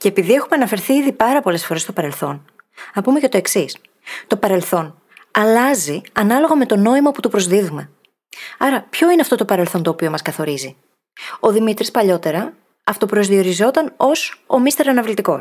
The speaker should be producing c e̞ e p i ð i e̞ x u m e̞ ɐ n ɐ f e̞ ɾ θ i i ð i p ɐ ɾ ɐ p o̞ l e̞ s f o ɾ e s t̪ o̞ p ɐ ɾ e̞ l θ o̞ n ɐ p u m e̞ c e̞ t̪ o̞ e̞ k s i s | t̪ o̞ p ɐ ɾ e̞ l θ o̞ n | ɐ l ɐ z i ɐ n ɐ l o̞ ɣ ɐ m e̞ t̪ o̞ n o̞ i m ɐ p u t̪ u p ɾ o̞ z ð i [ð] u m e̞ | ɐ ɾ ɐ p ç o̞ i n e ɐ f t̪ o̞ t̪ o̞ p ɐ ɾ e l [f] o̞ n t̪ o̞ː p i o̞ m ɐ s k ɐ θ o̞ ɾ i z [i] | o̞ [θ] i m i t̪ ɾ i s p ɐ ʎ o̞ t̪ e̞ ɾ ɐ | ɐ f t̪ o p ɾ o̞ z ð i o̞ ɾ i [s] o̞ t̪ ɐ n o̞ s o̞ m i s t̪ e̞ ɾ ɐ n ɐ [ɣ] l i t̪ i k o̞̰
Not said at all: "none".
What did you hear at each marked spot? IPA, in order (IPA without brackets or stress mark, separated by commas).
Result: ð, θ, i, ð, z, v